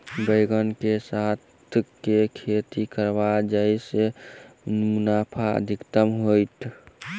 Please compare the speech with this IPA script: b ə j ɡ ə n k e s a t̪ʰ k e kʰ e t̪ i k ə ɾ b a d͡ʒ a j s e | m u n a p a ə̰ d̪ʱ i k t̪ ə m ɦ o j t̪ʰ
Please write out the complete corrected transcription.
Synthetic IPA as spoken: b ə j ɡ ə n k e s a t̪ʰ k e kʰ e t̪ i k ə ɾ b a d͡ʒ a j s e | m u n a pʰ a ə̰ d̪ʱ i k t̪ ə m ɦ o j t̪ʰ